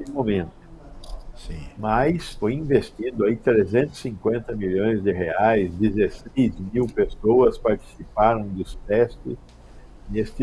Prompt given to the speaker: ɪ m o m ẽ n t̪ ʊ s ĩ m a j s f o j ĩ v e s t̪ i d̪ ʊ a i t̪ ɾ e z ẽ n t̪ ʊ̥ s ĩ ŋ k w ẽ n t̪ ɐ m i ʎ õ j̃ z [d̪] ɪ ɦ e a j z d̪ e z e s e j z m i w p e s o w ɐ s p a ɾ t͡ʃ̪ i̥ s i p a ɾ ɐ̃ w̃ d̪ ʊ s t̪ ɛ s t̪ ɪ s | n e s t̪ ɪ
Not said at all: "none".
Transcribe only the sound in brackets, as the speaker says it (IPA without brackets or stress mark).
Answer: d̪